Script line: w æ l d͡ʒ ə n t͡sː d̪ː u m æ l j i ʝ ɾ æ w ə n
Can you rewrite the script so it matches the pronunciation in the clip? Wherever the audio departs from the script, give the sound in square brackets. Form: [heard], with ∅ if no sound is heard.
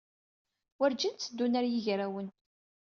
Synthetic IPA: w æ [ɾ] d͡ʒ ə n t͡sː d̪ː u [n] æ [ɾ] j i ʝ ɾ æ w ə n